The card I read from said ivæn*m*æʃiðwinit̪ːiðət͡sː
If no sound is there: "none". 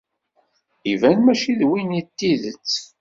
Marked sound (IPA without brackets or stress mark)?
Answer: m